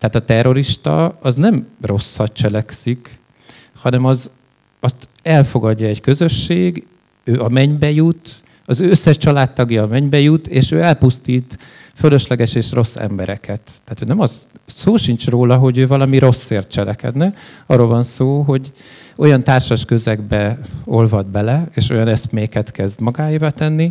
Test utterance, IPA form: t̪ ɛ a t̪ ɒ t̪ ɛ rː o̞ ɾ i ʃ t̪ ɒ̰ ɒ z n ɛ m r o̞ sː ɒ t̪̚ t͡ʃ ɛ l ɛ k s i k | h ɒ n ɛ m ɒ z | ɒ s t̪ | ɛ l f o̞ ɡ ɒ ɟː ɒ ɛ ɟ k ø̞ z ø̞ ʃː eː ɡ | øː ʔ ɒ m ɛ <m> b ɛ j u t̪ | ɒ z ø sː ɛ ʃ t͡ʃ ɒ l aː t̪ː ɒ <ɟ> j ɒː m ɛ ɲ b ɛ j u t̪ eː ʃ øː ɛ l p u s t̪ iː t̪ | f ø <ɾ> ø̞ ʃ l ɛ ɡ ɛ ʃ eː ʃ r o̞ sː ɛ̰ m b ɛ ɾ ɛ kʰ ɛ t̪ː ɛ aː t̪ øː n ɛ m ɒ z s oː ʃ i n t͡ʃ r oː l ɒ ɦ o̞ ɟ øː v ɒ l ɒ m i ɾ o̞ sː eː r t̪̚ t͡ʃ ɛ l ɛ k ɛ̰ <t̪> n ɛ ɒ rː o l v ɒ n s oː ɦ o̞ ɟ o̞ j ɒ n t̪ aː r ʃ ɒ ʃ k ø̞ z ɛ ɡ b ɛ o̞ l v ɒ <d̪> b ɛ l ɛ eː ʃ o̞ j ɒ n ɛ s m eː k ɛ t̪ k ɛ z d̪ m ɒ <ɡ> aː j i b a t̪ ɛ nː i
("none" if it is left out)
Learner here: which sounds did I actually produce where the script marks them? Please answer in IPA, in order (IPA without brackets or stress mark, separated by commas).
ɲ, ɡ, l, d̪, d̪, ɡ